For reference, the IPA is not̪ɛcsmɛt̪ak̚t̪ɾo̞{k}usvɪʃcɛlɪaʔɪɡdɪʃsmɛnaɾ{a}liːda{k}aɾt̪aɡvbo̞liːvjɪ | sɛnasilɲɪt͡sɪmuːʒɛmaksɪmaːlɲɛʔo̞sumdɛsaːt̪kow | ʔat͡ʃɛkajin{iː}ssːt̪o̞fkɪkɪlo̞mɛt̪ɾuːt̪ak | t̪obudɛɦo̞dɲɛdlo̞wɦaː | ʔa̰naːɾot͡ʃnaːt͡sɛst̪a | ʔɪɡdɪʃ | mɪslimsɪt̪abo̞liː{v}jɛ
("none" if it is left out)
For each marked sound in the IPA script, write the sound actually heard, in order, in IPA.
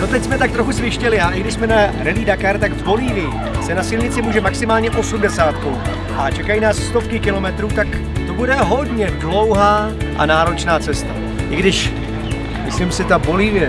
x, ɛ, k, aː, v

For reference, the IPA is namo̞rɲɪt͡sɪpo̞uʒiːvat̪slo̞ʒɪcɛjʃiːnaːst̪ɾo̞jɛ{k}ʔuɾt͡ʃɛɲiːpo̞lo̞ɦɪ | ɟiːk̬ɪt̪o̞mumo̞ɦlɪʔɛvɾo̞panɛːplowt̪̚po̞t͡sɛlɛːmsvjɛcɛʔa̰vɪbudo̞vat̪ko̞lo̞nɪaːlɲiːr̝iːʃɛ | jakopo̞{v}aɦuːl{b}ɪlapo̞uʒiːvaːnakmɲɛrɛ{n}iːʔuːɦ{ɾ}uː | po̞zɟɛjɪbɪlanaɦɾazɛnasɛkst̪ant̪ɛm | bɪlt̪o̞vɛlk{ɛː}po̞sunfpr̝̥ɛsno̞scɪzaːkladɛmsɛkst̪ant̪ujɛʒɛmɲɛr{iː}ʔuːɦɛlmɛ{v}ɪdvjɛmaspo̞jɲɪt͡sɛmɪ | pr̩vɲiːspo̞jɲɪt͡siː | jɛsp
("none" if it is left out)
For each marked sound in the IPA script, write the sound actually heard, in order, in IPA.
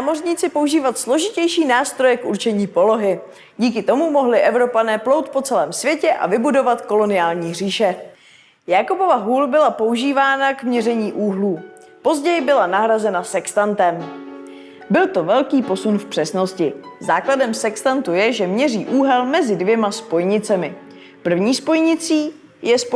k, v, b, ɲ, l, iː, iː, z

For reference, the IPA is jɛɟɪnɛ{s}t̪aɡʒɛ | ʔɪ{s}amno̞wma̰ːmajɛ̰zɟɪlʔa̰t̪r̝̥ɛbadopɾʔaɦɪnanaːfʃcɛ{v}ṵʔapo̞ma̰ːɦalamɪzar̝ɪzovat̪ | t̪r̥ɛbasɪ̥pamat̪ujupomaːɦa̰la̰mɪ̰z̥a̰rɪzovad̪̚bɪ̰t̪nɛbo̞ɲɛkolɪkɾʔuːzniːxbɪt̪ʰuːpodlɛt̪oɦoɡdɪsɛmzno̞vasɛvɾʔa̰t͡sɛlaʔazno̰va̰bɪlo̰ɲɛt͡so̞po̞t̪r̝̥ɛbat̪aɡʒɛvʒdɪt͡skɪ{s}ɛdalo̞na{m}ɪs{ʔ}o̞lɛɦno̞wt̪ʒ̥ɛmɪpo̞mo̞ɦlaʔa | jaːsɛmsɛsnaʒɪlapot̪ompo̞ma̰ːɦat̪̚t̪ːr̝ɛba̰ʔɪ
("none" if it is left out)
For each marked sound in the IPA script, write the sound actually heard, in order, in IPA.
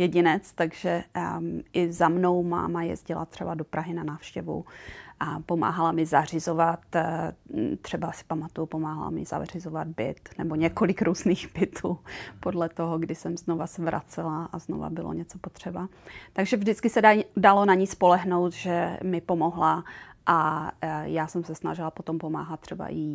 t͡s, z, v, s, ɲ, p

